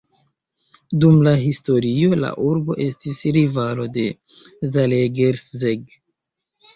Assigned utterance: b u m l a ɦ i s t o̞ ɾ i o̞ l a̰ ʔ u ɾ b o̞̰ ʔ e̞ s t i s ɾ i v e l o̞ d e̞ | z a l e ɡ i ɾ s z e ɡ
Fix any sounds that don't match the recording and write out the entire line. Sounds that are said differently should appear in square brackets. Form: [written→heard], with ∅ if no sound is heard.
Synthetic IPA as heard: [b→d] u m l a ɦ i s t o̞ ɾ i o̞ l a̰ ʔ u ɾ b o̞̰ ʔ e̞ s t i s ɾ i v [e→a] l o̞ d e̞ | z a l e ɡ [i→e] ɾ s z e ɡ